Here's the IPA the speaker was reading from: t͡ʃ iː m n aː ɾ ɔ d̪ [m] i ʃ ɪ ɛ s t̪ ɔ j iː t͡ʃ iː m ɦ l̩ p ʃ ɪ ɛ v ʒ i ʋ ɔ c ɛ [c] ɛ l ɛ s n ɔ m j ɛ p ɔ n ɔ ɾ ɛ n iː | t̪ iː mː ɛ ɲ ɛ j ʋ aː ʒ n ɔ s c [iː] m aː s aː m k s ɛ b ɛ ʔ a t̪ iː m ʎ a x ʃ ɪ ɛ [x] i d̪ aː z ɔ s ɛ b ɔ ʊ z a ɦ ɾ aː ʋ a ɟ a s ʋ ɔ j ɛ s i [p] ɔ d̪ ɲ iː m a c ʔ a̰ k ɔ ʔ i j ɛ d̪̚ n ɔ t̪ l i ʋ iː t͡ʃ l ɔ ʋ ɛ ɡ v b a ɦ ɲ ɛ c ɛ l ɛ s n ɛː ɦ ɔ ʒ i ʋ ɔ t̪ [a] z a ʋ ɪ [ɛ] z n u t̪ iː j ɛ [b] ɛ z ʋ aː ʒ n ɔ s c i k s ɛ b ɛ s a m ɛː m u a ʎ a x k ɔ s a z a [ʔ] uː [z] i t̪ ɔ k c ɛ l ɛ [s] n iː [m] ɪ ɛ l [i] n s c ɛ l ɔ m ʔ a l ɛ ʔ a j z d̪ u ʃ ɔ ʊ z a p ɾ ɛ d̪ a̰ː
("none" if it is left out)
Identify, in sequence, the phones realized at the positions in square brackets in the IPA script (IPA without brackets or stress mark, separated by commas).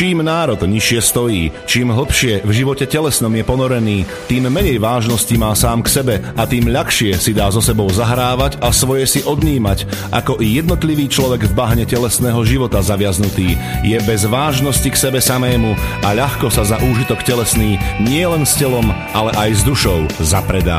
ɲ, c, i, s, ʔ, a, a, b, ʔ, ʒ, s, ɲ, ɛ